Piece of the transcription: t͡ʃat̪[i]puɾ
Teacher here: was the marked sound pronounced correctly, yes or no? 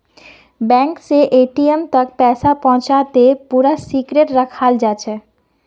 no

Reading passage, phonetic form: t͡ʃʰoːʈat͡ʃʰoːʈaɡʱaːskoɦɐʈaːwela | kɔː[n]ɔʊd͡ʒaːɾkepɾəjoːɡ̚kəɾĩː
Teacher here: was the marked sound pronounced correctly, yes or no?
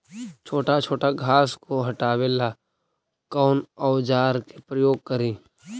yes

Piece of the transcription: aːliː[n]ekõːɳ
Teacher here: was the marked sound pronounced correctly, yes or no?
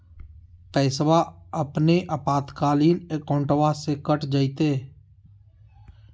yes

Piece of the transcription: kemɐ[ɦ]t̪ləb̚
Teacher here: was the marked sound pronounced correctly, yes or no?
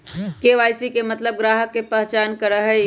no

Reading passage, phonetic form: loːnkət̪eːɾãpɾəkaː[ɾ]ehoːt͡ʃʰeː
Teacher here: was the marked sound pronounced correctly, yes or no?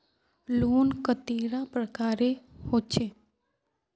yes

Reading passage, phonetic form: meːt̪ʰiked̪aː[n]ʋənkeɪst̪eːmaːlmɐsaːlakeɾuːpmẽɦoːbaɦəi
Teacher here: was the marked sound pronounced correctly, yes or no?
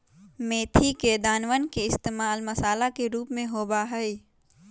yes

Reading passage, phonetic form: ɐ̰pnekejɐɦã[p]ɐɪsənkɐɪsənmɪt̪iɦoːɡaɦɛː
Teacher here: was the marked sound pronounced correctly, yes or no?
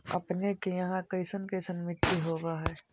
no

